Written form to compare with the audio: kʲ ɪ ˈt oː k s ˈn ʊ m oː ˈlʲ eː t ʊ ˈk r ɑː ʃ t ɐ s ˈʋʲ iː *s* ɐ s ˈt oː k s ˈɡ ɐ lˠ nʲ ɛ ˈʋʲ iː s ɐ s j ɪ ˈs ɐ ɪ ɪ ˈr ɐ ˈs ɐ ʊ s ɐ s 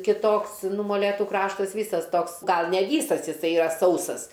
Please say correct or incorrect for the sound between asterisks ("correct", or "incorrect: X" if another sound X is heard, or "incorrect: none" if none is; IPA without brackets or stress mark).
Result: correct